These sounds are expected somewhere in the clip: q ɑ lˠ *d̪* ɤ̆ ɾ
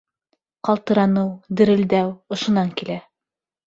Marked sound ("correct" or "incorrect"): incorrect